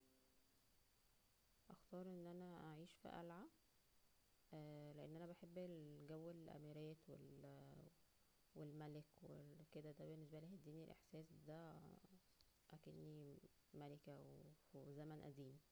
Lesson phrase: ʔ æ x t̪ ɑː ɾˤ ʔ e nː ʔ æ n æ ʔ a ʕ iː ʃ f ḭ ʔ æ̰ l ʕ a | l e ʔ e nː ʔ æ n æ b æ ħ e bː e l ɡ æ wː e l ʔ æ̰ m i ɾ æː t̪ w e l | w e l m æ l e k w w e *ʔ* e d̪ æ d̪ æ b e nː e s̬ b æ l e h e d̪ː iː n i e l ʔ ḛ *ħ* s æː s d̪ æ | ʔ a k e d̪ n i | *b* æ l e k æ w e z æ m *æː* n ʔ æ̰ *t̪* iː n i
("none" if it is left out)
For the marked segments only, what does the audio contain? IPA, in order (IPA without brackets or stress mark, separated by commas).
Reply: k, ħ, m, æ, d̪